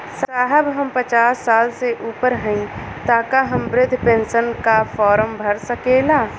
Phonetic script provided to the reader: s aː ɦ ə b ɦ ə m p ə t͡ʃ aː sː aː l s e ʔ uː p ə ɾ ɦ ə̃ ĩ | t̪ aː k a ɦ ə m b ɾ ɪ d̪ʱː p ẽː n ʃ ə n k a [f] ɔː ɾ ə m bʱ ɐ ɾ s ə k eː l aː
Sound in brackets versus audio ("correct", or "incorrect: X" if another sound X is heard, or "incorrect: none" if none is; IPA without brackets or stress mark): correct